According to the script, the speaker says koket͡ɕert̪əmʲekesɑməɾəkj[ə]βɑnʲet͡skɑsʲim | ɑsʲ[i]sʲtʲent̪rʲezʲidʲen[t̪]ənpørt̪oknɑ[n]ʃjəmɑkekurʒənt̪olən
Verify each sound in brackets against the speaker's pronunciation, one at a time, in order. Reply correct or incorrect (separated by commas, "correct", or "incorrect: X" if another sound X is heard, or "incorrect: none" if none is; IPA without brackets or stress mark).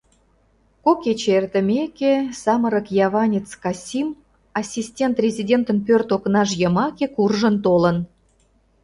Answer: incorrect: ɑ, correct, correct, incorrect: none